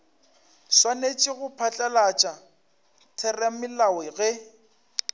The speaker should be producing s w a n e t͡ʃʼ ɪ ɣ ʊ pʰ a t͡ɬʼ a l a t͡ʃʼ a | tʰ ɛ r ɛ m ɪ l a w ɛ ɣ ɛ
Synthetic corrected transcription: s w a n e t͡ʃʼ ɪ ɣ ʊ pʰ a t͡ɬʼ a l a t͡ʃʼ a | tʰ ɛ r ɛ m ɪ l a w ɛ ɣ ɛ